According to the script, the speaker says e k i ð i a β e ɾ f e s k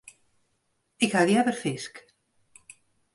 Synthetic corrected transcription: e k a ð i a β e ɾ f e s k